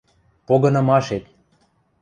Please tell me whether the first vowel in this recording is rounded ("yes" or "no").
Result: yes